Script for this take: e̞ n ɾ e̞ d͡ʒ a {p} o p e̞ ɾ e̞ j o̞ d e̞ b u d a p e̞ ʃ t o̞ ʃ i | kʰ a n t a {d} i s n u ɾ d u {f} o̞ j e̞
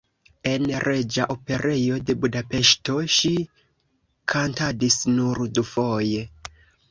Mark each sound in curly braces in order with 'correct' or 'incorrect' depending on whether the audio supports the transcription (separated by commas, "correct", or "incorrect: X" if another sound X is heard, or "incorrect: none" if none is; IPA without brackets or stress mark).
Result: incorrect: ʔ, correct, correct